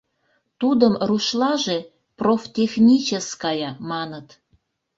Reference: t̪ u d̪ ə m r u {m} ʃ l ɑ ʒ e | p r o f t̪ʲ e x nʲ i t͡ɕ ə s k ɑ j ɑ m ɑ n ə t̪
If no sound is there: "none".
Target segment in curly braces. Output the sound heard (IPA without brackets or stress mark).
none